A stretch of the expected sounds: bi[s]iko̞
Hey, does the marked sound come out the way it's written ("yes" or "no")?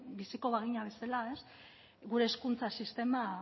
yes